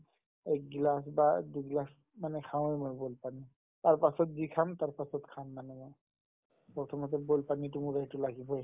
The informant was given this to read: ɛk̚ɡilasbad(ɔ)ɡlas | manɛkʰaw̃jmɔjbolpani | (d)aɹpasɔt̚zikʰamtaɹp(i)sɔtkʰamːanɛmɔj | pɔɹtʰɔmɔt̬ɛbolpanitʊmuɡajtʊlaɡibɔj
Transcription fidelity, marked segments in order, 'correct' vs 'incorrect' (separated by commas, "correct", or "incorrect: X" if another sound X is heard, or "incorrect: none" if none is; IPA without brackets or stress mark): incorrect: u, incorrect: t, incorrect: a